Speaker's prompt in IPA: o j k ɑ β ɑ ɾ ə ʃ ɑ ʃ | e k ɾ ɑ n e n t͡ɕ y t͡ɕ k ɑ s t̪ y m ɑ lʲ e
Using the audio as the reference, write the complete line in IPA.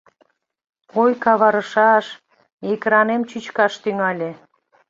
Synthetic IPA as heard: o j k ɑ β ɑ ɾ ə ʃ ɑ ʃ | e k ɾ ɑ n e m t͡ɕ y t͡ɕ k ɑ ʃ t̪ y ŋ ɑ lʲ e